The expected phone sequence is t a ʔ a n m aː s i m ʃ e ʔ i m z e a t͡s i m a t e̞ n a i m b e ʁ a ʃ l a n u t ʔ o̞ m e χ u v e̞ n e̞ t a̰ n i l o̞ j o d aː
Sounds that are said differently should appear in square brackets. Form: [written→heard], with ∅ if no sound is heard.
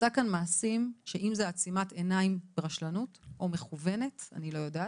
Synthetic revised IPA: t a [ʔ→k] a n m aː s i m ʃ e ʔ i m z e a t͡s i m a t e̞ n a i m b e ʁ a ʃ l a n u t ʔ o̞ m e χ u v e̞ n e̞ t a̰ n i l o̞ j o d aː

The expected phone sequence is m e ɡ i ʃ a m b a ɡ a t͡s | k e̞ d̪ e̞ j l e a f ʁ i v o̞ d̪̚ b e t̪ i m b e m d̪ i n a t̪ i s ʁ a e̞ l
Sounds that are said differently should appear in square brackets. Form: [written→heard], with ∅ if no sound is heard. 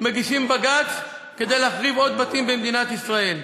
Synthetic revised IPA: m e ɡ i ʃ [a→i] m b a ɡ a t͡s | k e̞ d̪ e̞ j l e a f ʁ i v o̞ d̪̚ b [e→a] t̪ i m b e m d̪ i n a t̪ i s ʁ a e̞ l

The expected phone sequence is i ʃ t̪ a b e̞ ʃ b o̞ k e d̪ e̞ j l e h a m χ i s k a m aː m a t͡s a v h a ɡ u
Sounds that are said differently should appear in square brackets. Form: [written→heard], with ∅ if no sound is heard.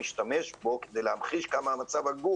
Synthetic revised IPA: i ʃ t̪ a [b→m] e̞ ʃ b o̞ k e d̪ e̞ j l e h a m χ i [s→ʃ] k a m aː m a t͡s a v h a ɡ u

